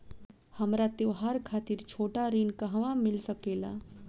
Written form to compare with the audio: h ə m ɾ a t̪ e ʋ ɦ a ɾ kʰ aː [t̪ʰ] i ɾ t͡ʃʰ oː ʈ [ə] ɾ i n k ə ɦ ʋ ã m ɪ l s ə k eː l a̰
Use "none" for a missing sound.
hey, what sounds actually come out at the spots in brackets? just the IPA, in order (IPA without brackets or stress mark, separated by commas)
t̪, a